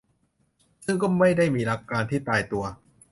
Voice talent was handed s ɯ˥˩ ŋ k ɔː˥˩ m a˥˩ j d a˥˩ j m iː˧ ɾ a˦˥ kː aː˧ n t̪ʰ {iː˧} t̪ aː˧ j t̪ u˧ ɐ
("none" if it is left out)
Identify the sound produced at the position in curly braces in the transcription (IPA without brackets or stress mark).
iː˥˩